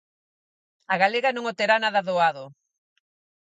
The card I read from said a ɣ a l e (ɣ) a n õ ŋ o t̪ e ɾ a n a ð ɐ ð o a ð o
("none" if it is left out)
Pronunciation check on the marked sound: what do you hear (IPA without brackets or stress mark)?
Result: ɣ